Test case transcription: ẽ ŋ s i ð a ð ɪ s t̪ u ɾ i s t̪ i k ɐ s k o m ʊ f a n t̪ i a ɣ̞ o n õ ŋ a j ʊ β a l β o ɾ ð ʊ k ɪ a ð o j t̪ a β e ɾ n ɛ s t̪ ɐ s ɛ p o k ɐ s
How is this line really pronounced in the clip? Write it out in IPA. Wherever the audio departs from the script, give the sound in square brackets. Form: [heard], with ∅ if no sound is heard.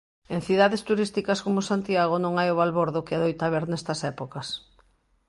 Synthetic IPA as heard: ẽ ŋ [θ] i ð a ð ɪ s t̪ u ɾ i s t̪ i k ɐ s k o m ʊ [s] a n t̪ i a ɣ̞ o n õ ŋ a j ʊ β a l β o ɾ ð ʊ k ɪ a ð o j t̪ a β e ɾ n ɛ s t̪ ɐ s ɛ p o k ɐ s